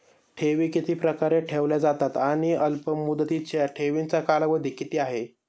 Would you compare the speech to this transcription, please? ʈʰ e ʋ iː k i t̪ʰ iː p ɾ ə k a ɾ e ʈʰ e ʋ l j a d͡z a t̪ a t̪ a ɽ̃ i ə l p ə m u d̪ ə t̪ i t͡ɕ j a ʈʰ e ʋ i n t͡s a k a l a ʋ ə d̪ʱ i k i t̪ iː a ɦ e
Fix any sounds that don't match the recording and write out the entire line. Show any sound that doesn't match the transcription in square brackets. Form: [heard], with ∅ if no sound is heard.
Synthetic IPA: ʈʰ e ʋ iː k i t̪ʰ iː p ɾ ə k a ɾ e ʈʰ e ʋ l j a d͡z a t̪ a t̪ a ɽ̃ i ə l p ə m u d̪ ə t̪ i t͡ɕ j a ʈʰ e ʋ i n t͡s a k a l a ʋ ə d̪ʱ i k i t̪ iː a ɦ e